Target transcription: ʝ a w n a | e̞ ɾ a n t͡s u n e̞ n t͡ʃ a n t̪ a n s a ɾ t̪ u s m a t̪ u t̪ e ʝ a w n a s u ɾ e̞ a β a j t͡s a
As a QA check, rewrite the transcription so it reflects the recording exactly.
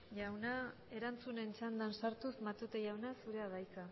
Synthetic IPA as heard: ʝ a w n a | e̞ ɾ a n t͡s u n e̞ n t͡ʃ a n d̪ a n s a ɾ t̪ u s m a t̪ u t̪ e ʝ a w n a s u ɾ e̞ a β a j t͡s a